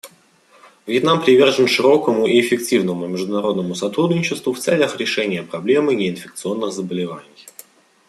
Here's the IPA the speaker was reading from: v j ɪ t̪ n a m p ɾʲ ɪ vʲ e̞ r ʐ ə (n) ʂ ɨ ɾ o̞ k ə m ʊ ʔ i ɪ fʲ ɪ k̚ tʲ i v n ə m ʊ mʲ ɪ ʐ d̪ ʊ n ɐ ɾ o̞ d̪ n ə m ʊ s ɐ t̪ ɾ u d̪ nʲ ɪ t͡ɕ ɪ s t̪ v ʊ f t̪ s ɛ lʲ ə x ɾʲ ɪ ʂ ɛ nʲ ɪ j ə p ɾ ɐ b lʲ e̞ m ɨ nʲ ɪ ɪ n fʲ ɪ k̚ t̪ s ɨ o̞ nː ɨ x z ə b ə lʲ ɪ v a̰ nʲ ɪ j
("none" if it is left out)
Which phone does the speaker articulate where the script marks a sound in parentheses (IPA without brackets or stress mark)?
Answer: n